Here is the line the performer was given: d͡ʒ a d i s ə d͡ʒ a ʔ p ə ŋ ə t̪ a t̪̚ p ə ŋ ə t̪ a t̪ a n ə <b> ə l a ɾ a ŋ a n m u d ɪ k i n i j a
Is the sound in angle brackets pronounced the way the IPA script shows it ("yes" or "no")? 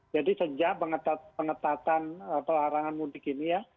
no